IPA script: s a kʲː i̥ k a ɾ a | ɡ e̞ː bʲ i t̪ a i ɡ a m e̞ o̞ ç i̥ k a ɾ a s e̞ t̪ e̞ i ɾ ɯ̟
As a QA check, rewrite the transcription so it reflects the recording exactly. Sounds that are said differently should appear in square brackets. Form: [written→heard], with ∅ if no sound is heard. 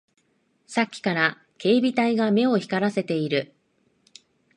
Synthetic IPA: s a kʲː i̥ k a ɾ a | [ɡ→k] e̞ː bʲ i t̪ a i ɡ a m e̞ o̞ ç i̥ k a ɾ a s e̞ t̪ e̞ i ɾ ɯ̟